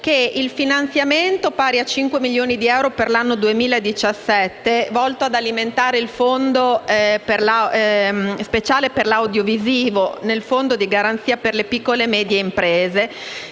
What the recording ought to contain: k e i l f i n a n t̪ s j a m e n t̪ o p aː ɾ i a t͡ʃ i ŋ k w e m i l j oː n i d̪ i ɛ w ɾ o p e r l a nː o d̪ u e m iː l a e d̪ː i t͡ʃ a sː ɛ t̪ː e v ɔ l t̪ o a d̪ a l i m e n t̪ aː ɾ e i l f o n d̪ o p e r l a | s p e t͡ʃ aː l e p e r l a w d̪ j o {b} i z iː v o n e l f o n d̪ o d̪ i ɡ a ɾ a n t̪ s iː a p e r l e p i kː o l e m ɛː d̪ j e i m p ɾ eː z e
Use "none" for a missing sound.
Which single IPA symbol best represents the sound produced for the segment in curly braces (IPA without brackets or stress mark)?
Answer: v